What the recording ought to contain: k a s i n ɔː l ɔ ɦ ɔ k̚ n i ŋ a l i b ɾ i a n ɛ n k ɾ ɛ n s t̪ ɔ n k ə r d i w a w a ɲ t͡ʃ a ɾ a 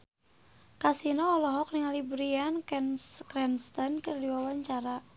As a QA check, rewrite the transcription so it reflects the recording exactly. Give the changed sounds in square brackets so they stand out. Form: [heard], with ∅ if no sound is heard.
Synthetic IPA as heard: k a s i n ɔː l ɔ ɦ ɔ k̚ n i ŋ a l i b ɾ i a n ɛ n k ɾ ɛ n s t̪ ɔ n k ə r d i w a w a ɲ t͡ʃ a ɾ a